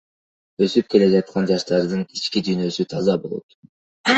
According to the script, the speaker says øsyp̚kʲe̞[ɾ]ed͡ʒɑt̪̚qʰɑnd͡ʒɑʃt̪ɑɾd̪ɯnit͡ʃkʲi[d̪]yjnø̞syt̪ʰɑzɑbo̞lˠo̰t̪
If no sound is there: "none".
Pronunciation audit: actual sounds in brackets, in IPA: l, d̪

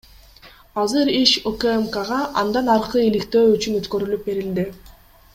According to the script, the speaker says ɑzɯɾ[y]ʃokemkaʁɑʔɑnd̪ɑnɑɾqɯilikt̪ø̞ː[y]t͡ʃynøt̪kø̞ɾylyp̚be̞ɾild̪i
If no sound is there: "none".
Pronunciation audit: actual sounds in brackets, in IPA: i, y

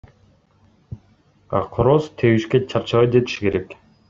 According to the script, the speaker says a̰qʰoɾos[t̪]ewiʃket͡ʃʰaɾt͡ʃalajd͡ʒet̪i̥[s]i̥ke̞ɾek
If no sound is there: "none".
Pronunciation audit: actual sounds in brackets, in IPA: t̪ʰ, ʃ

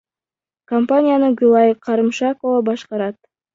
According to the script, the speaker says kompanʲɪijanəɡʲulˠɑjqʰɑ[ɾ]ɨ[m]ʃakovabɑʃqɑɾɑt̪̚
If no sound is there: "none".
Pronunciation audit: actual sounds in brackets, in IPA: ɾ, m

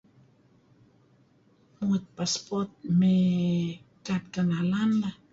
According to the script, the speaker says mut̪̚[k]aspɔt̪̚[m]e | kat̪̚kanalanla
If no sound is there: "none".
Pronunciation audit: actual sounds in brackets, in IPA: p, m

